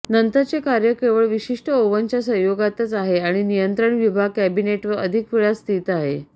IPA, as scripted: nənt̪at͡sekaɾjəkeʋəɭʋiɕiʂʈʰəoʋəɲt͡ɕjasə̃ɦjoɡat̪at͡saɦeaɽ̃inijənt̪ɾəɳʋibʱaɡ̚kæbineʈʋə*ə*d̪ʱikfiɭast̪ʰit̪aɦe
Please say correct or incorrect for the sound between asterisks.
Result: correct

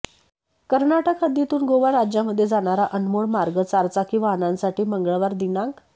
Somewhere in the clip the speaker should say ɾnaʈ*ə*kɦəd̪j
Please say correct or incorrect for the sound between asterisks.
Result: correct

